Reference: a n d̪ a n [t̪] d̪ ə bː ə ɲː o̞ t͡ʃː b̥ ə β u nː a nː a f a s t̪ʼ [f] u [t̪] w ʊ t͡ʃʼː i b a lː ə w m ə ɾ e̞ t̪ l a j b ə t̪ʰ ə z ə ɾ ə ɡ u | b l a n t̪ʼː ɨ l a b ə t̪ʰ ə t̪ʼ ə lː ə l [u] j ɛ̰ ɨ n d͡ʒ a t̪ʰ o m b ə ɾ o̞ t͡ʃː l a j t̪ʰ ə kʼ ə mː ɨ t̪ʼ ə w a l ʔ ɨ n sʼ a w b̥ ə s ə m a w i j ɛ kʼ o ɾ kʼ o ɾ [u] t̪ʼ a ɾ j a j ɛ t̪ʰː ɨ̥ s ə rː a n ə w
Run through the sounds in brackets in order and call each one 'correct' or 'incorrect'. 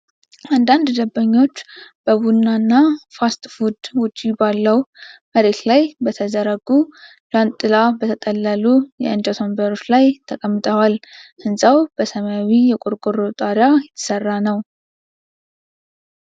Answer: incorrect: d̪, correct, incorrect: d̪, correct, incorrect: o

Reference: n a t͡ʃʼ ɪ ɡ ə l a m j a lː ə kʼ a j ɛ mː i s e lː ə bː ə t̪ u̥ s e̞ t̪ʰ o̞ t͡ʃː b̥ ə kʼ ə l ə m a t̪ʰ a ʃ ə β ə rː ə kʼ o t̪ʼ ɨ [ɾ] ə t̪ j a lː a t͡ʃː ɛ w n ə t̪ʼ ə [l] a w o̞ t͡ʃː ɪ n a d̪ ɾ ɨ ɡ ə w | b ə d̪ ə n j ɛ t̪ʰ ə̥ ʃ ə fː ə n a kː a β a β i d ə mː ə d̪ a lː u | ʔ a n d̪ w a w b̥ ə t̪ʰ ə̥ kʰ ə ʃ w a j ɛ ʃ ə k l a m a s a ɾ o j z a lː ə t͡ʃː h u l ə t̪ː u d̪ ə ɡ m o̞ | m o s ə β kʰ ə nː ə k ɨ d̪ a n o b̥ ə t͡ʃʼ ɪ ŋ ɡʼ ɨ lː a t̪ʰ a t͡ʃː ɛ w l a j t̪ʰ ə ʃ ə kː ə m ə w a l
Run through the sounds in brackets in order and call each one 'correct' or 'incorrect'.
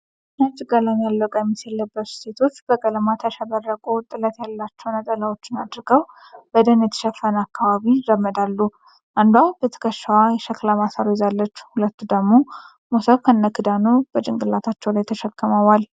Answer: incorrect: l, correct

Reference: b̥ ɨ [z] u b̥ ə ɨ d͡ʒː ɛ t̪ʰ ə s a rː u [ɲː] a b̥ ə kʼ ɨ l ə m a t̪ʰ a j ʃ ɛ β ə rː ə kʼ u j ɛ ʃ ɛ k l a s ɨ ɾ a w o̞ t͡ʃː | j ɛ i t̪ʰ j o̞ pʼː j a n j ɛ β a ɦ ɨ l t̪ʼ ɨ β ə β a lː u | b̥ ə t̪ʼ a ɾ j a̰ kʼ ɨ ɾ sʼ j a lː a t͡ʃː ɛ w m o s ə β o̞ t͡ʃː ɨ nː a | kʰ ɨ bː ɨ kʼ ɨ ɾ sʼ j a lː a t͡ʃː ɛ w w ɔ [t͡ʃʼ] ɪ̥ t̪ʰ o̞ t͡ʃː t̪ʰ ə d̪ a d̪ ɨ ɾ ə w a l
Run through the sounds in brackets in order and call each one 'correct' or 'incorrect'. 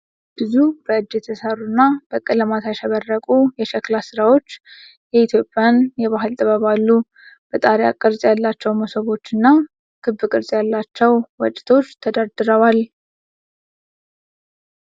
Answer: correct, incorrect: nː, correct

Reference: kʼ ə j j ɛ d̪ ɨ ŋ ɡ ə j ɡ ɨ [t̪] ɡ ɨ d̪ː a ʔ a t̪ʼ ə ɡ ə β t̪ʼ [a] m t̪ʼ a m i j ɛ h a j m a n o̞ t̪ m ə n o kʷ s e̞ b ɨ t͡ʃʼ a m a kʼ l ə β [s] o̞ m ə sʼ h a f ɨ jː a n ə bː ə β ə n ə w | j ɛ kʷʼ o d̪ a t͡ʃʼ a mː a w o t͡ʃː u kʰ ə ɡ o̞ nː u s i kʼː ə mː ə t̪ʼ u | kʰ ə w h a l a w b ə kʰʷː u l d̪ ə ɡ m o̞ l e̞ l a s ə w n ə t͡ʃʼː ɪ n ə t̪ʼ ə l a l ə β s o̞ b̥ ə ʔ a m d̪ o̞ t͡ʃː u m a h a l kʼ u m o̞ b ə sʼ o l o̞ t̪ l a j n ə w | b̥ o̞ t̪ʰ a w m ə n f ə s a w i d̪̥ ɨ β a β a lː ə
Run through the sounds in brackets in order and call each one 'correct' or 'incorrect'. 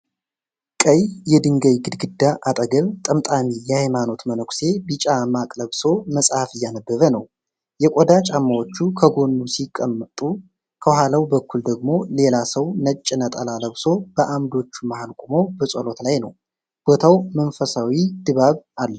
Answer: incorrect: d̪, incorrect: ə, correct

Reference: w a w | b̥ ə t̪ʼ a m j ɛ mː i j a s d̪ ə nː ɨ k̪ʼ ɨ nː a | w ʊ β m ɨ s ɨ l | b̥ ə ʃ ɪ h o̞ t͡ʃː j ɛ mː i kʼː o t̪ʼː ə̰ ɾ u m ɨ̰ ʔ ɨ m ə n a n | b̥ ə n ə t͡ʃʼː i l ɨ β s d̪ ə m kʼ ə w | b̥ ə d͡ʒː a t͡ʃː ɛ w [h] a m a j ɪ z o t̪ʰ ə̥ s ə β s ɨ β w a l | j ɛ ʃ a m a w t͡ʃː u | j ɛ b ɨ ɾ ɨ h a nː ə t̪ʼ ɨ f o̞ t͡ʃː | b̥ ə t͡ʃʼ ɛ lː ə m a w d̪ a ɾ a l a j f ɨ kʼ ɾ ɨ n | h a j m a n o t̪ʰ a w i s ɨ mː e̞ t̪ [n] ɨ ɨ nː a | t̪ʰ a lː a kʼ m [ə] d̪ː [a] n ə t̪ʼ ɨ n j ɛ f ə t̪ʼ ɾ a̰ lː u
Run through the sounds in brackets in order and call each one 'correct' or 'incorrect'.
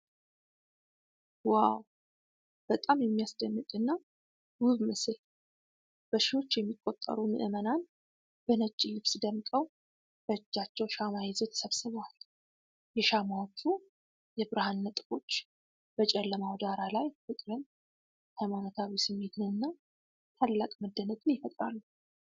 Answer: incorrect: ʃ, correct, correct, incorrect: ə

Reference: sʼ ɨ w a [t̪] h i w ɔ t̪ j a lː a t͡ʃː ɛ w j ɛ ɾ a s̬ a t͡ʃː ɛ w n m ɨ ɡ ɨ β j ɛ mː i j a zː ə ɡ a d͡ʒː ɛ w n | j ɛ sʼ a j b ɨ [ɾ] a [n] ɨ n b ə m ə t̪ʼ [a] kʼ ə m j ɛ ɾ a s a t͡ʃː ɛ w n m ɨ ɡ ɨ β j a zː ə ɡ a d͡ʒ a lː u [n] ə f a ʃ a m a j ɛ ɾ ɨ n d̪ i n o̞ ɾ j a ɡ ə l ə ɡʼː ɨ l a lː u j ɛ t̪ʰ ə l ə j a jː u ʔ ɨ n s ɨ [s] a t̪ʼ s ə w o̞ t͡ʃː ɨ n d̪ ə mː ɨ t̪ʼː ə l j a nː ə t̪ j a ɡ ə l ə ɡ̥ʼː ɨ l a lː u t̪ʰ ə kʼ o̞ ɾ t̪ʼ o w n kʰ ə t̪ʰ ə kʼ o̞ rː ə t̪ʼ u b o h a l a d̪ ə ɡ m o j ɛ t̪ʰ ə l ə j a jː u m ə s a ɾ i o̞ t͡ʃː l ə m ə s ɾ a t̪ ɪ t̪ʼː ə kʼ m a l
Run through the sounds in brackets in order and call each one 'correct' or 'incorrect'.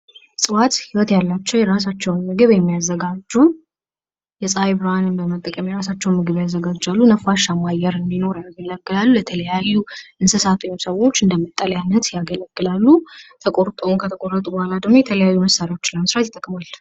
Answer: correct, correct, correct, incorrect: ə, correct, correct

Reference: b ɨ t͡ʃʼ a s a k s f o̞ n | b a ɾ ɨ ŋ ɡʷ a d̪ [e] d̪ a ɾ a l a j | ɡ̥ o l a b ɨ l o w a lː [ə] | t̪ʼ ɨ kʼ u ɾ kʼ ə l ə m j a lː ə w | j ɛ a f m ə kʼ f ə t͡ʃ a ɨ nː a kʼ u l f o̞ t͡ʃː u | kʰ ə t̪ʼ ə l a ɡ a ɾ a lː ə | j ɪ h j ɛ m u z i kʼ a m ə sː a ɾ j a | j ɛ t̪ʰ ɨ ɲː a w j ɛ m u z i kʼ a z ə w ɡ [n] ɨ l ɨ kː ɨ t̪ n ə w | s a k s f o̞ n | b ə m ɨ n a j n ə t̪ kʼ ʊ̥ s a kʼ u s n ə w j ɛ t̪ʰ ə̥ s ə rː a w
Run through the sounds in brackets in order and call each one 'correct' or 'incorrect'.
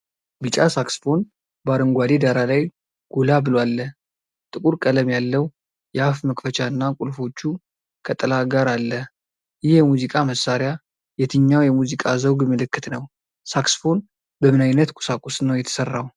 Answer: correct, correct, incorrect: m

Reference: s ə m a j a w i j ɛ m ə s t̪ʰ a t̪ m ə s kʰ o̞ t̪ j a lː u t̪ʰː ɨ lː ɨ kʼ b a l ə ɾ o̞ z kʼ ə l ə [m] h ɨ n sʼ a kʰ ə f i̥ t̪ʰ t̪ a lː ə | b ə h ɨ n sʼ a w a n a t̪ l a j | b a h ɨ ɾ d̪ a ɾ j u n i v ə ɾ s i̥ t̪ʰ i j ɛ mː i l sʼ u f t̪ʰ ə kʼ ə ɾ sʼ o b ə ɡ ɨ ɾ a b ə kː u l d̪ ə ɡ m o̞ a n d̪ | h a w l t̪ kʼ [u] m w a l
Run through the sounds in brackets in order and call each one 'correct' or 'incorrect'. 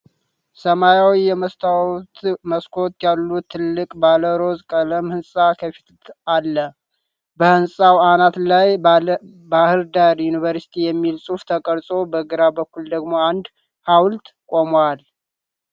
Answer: correct, incorrect: o

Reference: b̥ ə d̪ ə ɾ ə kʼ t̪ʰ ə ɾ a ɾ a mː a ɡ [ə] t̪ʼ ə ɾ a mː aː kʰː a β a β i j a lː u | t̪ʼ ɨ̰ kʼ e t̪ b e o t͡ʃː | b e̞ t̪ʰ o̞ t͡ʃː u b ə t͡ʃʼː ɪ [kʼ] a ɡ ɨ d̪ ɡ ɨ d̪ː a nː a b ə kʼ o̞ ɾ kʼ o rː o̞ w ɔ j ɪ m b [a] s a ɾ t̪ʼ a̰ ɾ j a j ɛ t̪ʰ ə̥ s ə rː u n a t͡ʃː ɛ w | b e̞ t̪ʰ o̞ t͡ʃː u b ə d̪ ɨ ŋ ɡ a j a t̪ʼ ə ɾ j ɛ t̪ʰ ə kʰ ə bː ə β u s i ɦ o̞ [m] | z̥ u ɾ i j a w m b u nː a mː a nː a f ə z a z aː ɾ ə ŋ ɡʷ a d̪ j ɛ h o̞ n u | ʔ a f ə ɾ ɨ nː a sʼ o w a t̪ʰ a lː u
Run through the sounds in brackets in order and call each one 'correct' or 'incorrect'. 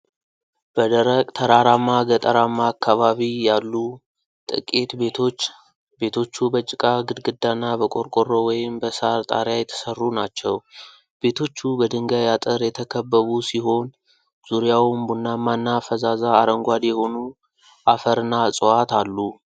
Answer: correct, correct, incorrect: ə, incorrect: n

